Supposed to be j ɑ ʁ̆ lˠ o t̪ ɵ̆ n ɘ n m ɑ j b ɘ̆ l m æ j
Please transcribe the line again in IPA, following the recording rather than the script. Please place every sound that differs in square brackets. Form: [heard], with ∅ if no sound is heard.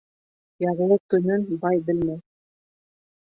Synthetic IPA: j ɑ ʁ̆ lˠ [ɤ] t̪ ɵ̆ n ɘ n [b] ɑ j b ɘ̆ l m æ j